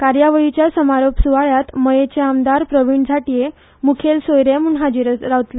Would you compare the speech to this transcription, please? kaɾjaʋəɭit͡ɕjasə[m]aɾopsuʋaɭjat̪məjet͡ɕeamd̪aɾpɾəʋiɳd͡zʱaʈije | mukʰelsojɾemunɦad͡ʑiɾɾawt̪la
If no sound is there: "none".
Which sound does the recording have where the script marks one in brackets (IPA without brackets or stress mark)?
m